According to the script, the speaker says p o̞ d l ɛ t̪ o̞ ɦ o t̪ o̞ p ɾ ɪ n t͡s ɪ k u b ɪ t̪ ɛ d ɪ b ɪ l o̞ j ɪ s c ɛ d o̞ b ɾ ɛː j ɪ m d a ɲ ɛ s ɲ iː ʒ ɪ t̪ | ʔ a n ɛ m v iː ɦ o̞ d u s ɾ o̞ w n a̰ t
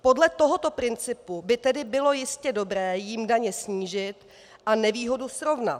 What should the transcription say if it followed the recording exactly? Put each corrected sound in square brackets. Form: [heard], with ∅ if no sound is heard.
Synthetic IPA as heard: p o̞ d l ɛ t̪ o̞ ɦ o t̪ o̞ p ɾ ɪ n t͡s ɪ [p] u b ɪ t̪ ɛ d ɪ b ɪ l o̞ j ɪ s c ɛ d o̞ b ɾ ɛː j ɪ m d a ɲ ɛ s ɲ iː ʒ ɪ t̪ | ʔ a n ɛ [∅] v iː ɦ o̞ d u s ɾ o̞ [v] n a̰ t

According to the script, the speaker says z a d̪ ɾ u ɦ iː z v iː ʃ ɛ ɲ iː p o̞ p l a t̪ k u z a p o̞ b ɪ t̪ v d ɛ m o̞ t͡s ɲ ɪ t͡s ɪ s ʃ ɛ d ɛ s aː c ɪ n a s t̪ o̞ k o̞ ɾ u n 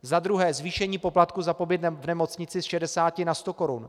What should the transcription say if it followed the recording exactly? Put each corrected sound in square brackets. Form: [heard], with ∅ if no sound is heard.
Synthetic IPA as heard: z a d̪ ɾ u ɦ [ɛː] z v iː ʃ ɛ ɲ iː p o̞ p l a t̪ k u z a p o̞ b ɪ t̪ v [n] ɛ m o̞ t͡s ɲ ɪ t͡s ɪ s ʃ ɛ d ɛ s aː c ɪ n a s t̪ o̞ k o̞ ɾ u n

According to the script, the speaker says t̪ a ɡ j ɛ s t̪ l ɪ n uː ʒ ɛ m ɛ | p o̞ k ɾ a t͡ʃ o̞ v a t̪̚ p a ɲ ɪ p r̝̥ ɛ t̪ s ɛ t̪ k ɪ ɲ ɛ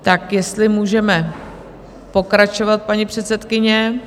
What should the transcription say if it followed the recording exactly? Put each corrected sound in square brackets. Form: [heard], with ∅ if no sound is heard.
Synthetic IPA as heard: t̪ a [k] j ɛ s t̪ l ɪ [m] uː ʒ ɛ m ɛ | p o̞ k ɾ a t͡ʃ o̞ v a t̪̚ p a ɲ [i] p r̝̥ ɛ t̪ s ɛ t̪ k ɪ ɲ ɛ

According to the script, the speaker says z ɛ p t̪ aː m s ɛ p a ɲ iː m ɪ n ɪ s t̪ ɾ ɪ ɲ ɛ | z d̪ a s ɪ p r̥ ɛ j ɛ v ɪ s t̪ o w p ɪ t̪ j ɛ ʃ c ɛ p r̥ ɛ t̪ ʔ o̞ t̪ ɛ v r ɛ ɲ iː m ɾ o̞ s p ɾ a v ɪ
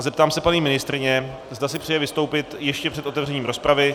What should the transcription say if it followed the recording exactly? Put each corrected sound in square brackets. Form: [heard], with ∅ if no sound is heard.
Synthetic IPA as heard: z ɛ p t̪ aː m s ɛ p a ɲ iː m ɪ n ɪ s t̪ ɾ ɪ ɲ ɛ | z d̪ a s ɪ p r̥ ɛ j ɛ v ɪ s t̪ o w p ɪ t̪ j ɛ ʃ c ɛ p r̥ ɛ t̪ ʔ o̞ t̪ ɛ v r ɛ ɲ iː m ɾ o̞ s p ɾ a v ɪ

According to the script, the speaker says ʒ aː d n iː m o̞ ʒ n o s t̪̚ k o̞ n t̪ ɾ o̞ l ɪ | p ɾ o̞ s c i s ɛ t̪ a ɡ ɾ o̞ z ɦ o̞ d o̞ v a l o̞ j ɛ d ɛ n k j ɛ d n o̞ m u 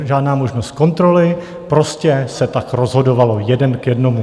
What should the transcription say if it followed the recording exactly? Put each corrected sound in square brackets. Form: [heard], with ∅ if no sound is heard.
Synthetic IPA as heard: ʒ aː d n [aː] m o̞ ʒ n o s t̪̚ k o̞ n t̪ ɾ o̞ l ɪ | p ɾ o̞ s c [ɛ] s ɛ t̪ a [k] ɾ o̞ z ɦ o̞ d o̞ v a l o̞ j ɛ d ɛ n k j ɛ d n o̞ m u

